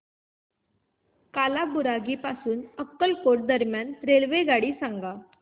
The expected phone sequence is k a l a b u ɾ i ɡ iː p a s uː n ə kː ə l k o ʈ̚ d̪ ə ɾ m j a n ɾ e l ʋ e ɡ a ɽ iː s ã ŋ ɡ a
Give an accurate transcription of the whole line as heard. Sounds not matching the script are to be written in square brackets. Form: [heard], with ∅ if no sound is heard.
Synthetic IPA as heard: k a l a b u ɾ [a] ɡ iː p a s uː n ə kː ə l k o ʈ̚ d̪ ə ɾ m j a n ɾ e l ʋ e ɡ a ɽ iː s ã ŋ ɡ a